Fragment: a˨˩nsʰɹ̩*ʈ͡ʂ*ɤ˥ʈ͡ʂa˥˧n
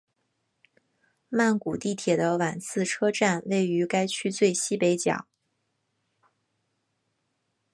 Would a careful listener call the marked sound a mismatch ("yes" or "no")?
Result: yes